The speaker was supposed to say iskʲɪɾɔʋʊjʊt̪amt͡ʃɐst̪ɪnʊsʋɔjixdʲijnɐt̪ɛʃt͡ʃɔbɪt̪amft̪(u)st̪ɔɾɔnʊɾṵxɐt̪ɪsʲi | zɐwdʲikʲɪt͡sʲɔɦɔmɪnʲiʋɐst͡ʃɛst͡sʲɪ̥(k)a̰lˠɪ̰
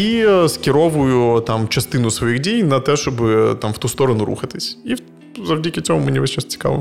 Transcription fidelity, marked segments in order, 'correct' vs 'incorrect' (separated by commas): correct, correct